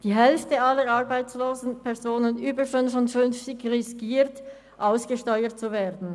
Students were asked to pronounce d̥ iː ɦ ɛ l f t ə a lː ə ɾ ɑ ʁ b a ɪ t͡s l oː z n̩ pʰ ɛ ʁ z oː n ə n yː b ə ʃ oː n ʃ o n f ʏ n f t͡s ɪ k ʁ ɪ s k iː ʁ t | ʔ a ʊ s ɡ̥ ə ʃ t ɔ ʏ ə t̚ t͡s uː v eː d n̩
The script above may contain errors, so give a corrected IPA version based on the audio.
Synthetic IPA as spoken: d̥ iː ɦ ɛ l f t ə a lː ə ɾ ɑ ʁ b a ɪ t͡s l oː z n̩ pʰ ɛ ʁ z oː n ə n yː b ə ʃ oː n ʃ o n f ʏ n f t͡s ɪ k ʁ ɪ s k iː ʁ t | ʔ a ʊ s ɡ̥ ə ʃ t ɔ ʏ ə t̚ t͡s u v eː d n̩